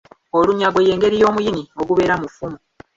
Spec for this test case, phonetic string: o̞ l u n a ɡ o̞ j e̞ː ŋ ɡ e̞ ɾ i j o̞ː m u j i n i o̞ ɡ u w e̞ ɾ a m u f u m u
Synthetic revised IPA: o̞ l u ɲ a ɡ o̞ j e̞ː ŋ ɡ e̞ ɾ i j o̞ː m u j i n i o̞ ɡ u β e̞ ɾ a m u f u m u